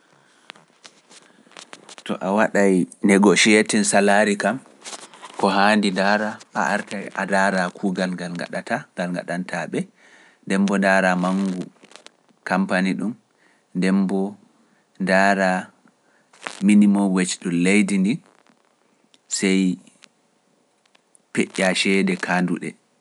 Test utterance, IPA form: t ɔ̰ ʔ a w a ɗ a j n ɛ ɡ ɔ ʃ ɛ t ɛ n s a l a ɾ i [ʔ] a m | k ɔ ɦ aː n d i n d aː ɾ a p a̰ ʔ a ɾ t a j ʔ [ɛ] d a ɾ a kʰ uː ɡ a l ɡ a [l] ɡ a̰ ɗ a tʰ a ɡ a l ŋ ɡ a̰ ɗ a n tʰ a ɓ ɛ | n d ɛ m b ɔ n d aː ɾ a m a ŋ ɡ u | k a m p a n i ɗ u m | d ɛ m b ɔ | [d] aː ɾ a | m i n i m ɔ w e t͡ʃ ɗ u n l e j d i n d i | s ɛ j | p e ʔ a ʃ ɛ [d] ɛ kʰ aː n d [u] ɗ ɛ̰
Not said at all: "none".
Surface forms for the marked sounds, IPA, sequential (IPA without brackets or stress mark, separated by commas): k, a, l, d, d, u